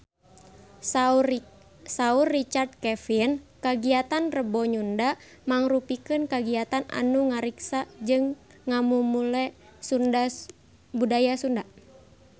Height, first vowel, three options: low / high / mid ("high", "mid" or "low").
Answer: low